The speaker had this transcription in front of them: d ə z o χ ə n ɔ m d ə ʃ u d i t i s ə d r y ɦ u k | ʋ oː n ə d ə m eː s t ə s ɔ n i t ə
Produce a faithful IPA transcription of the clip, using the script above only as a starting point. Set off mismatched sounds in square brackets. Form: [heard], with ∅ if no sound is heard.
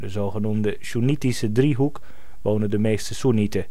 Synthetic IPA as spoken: d ə z o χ ə n [u] m d ə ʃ u [n] i t i s ə d r [i] ɦ u k | ʋ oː n ə d ə m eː s t ə s [u] n i t ə